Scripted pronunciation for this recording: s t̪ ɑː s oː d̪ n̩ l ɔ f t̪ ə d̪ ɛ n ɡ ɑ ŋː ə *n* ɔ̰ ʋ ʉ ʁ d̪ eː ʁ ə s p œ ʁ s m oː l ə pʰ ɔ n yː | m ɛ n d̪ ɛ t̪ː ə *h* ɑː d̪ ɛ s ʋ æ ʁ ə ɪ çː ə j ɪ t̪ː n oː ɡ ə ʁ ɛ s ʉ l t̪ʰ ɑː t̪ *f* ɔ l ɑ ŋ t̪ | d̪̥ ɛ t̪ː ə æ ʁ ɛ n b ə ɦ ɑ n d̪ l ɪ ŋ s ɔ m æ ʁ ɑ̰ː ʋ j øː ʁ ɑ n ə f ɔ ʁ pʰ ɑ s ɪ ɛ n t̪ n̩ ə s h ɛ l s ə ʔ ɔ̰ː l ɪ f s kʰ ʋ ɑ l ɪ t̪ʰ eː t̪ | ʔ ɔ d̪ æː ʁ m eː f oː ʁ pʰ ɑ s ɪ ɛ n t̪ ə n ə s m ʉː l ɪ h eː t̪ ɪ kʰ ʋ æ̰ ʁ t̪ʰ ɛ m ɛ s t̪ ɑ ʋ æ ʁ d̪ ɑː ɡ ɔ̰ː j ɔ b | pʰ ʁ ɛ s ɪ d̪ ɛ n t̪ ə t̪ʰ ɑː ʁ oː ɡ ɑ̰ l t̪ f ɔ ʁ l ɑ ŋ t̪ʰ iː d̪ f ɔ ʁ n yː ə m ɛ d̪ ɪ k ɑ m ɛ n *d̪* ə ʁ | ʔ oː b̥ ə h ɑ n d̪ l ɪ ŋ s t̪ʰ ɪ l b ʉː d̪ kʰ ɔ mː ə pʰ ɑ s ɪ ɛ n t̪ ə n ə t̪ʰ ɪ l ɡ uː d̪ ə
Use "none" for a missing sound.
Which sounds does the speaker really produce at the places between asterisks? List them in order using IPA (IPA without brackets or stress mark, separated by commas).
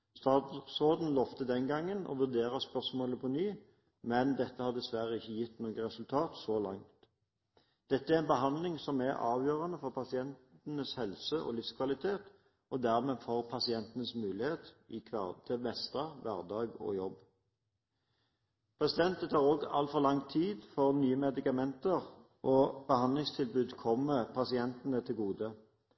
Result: n, h, s, t̪